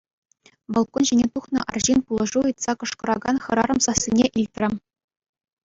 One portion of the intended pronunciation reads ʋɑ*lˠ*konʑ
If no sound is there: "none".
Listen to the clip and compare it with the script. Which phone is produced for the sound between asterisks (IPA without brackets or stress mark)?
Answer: lˠ